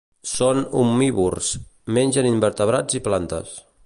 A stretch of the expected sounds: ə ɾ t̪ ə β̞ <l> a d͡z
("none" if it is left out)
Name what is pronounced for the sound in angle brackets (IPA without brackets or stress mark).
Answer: ɾ